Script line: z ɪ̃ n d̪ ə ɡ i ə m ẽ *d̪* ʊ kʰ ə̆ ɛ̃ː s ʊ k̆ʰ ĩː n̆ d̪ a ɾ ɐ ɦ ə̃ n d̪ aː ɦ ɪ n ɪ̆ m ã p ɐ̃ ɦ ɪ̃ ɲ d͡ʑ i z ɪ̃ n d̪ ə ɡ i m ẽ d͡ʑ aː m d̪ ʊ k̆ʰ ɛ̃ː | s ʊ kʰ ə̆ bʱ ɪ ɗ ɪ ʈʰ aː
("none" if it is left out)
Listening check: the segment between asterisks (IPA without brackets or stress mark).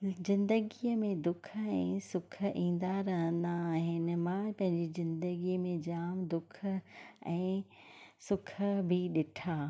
d̪